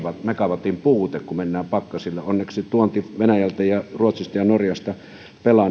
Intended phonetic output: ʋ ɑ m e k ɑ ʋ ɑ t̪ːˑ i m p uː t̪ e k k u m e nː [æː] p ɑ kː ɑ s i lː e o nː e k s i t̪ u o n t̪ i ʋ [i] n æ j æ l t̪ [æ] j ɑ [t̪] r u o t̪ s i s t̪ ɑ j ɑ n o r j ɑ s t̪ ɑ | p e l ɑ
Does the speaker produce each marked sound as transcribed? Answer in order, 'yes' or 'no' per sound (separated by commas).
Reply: yes, no, yes, no